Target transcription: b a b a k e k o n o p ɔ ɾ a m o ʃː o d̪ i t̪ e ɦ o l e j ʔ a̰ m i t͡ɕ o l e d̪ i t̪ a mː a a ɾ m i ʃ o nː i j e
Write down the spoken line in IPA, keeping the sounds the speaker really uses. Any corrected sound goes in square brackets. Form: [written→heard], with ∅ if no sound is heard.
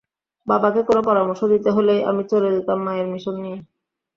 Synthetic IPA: b a b a k e k o n o p ɔ ɾ a m o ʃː o d̪ i t̪ e ɦ o l e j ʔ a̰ m i t͡ɕ o l e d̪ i t̪ a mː a [a→e] ɾ m i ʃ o nː i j e